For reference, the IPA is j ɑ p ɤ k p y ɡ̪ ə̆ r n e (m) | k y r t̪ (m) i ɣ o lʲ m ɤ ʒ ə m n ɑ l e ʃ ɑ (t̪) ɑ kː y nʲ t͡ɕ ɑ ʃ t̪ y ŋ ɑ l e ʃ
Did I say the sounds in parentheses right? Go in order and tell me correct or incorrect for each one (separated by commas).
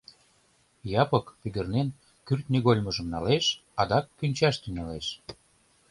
incorrect, incorrect, incorrect